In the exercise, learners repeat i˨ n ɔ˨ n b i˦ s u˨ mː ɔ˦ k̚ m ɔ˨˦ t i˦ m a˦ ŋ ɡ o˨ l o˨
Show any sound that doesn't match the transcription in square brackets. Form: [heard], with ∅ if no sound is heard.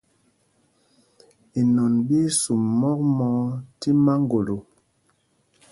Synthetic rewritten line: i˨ n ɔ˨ n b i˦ s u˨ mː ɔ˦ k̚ m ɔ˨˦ t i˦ m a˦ ŋ ɡ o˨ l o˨